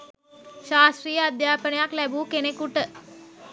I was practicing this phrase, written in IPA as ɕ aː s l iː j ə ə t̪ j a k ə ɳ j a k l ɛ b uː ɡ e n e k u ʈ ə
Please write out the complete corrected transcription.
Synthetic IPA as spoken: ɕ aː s ɾ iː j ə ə d̪ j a p ə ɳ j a k l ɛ b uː k e n e k u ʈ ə